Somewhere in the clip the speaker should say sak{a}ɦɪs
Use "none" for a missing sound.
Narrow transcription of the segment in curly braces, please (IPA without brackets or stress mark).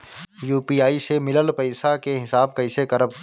e